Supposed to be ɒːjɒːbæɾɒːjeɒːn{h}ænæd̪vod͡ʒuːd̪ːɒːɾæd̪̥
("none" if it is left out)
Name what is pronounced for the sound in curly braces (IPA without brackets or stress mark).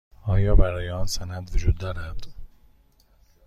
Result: s